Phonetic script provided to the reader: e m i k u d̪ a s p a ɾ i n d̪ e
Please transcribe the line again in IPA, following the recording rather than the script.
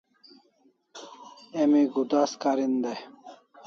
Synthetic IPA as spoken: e m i ɡ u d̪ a s k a ɾ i n d̪ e